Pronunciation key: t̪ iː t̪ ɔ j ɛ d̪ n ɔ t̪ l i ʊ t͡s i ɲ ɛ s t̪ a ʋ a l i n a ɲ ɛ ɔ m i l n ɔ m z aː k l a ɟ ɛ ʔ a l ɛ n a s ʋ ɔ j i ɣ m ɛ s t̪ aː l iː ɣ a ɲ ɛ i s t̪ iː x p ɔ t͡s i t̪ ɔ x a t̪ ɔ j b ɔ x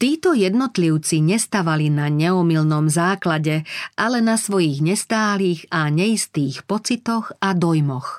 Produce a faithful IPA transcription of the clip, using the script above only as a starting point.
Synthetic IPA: t̪ iː t̪ ɔ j ɛ d̪ n ɔ t̪ l i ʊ t͡s i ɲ ɛ s t̪ a ʋ a l i n a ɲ ɛ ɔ m i l n ɔ m z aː k l a ɟ ɛ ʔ a l ɛ n a s ʋ ɔ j i ɣ ɲ ɛ s t̪ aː l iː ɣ a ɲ ɛ i s t̪ iː x p ɔ t͡s i t̪ ɔ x a d̪ ɔ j m ɔ x